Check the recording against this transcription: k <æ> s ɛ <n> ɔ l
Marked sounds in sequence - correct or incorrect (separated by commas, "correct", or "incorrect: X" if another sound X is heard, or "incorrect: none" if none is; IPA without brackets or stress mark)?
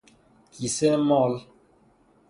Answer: incorrect: i, incorrect: m